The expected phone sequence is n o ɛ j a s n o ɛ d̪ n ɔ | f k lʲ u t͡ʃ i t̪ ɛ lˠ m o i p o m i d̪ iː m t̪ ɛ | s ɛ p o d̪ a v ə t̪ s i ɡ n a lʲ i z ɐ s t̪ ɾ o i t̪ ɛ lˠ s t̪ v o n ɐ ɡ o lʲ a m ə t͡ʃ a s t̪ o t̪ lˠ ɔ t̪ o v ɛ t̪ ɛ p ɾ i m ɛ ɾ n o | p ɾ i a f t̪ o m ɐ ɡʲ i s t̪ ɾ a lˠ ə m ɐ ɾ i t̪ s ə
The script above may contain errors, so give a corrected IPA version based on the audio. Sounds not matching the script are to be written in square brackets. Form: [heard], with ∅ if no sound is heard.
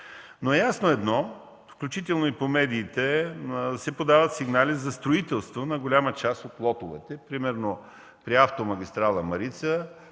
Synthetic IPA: n o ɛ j a s n o ɛ d̪ n ɔ | f k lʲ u t͡ʃ i t̪ ɛ lˠ [n] o i p o m [ɛ] d̪ iː [∅] t̪ ɛ | s ɛ p o d̪ a v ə t̪ s i ɡ n a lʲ i z ɐ s t̪ ɾ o i t̪ ɛ lˠ s t̪ v o n ɐ ɡ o lʲ a m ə t͡ʃ a s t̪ o t̪ lˠ ɔ t̪ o v ɛ t̪ ɛ p ɾ i m ɛ ɾ n o | p ɾ i a f t̪ o m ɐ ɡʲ i s t̪ ɾ a lˠ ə m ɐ ɾ i t̪ s ə